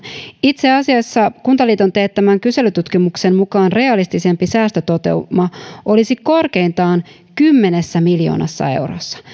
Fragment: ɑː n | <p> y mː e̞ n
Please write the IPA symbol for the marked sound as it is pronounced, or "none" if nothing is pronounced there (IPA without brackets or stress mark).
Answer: k